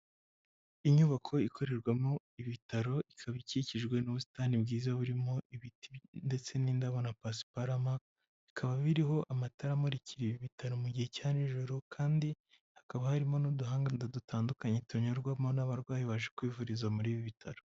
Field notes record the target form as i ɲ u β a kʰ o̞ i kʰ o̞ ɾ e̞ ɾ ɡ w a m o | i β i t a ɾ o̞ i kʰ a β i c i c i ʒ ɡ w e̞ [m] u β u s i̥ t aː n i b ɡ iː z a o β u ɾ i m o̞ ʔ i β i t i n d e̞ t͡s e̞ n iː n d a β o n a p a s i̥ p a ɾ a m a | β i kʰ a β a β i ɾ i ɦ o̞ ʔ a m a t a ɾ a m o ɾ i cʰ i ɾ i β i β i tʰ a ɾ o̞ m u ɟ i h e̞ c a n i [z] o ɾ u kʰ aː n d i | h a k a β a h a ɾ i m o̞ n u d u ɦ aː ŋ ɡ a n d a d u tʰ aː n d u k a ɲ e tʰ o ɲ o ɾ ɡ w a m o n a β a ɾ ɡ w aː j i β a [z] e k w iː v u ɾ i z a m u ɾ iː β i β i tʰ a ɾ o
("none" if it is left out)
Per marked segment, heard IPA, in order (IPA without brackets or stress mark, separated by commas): n, ʒ, ʒ